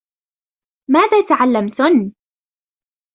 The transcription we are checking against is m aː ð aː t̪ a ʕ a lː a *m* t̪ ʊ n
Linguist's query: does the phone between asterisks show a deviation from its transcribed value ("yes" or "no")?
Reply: no